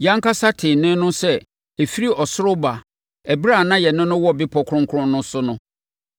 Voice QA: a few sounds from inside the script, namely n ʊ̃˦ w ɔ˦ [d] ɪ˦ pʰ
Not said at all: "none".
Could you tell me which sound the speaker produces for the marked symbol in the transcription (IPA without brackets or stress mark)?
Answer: b